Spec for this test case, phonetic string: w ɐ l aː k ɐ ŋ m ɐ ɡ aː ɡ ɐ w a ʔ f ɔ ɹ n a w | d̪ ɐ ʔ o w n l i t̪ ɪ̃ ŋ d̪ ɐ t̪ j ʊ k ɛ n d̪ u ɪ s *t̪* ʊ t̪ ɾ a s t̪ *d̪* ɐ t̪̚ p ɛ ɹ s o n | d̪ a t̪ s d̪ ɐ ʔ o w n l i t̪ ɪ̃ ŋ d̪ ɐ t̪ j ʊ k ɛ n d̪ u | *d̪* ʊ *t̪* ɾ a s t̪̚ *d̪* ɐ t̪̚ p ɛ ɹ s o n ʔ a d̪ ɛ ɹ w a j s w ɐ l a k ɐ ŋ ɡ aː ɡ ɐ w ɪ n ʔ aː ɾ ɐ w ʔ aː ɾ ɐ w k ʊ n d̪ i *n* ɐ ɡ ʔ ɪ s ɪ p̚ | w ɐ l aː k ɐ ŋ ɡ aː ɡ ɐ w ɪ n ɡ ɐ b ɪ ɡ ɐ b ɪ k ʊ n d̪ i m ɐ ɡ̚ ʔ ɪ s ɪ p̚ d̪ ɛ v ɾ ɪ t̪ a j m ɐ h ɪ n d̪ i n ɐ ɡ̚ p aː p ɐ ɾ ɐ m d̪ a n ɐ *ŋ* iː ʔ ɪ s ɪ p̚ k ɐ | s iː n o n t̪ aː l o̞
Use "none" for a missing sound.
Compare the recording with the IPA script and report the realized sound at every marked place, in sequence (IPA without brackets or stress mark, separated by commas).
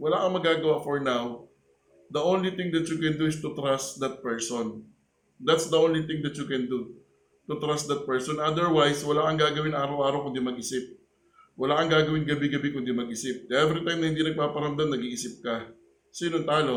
t̪, d̪, t̪, t̪, d̪, m, ɡ